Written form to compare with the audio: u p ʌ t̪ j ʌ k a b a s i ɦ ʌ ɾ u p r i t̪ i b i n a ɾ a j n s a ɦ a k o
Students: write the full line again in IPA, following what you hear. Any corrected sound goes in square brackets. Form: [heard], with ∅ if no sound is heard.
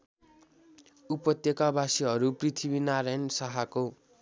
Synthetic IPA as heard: u p ʌ t̪ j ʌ k a b a s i ɦ ʌ ɾ u p r i [t̪ʰ] i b i n a ɾ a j n s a ɦ a k o